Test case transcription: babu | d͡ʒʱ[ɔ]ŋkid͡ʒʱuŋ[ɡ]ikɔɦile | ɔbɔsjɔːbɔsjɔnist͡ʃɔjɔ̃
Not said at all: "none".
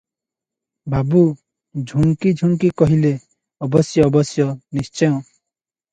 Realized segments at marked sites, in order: u, k

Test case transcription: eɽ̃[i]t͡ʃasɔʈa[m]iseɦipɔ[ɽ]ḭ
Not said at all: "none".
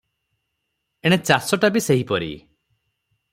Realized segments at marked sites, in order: e, b, ɾ

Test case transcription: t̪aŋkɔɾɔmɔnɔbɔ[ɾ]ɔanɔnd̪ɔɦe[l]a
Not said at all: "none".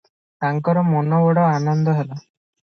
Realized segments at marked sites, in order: ɽ, l

